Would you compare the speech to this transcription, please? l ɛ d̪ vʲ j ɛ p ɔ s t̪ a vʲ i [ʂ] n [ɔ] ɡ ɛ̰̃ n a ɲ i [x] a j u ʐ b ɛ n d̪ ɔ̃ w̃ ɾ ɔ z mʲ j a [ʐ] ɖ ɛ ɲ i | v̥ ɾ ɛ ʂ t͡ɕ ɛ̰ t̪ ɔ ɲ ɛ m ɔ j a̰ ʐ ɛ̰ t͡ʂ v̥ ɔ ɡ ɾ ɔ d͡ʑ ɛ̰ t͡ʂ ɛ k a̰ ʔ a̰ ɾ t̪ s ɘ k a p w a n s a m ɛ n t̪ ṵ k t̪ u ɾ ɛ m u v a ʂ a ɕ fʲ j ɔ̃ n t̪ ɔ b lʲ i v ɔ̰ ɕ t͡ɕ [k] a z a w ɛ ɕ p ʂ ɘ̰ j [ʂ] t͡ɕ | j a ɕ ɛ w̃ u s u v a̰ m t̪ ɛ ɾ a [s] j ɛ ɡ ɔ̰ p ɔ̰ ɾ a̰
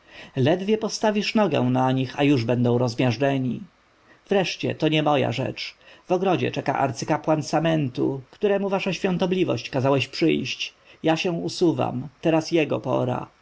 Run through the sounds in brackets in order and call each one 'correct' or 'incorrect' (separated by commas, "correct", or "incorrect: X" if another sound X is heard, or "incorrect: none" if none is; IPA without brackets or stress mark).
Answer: correct, correct, correct, correct, correct, incorrect: ɕ, correct